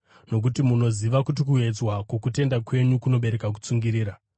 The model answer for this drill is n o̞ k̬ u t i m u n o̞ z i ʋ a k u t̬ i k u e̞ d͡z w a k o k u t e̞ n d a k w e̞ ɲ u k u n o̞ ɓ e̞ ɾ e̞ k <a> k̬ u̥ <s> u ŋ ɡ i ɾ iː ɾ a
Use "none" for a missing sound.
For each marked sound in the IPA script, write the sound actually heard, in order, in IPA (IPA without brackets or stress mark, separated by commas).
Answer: a, t͡s